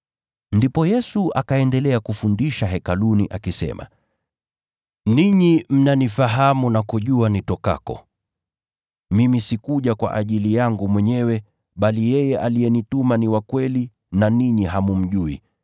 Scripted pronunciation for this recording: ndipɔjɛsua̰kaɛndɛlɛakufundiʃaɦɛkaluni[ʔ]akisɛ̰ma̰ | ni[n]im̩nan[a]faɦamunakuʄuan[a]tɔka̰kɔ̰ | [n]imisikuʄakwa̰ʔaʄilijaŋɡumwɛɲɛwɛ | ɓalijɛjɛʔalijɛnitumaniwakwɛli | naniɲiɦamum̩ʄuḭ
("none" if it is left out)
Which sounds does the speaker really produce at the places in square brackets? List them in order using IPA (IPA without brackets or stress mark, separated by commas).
ʔ, ɲ, i, i, m